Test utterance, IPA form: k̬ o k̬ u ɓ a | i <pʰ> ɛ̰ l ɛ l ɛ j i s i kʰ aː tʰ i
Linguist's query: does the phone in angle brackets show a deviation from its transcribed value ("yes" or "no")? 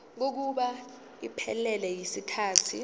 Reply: no